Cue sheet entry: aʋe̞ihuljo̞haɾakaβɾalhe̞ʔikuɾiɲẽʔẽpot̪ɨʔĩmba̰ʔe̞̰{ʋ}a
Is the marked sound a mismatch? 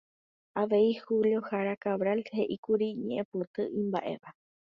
no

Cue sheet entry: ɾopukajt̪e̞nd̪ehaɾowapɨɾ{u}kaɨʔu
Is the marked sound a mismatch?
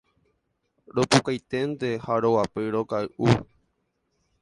yes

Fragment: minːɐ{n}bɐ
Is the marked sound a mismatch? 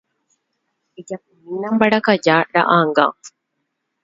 yes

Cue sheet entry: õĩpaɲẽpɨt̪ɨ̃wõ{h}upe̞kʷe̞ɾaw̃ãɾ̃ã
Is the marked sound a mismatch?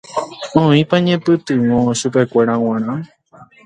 yes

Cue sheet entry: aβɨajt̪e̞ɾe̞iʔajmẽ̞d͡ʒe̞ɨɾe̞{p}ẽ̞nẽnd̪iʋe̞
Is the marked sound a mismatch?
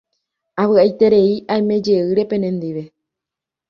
no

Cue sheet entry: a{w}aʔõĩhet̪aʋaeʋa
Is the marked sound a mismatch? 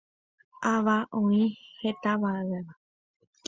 yes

